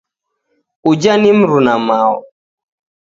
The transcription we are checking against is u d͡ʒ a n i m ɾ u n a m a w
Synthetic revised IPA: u d͡ʒ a n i m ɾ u n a m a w